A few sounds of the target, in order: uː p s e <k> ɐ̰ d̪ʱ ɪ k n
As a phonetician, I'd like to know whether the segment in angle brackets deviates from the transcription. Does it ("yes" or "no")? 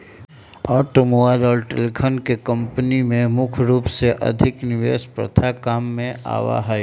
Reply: yes